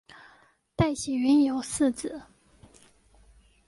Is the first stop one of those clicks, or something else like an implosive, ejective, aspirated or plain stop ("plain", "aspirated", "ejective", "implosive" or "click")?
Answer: plain